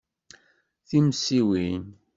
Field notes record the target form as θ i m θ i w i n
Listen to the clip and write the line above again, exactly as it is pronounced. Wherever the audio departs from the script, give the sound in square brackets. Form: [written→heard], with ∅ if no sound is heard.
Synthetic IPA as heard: θ i m [θ→s] i w i n